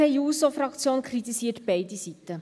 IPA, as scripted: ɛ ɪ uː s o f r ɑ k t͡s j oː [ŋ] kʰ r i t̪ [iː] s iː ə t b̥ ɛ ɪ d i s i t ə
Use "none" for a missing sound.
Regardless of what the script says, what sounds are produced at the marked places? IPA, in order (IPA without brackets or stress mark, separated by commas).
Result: n, i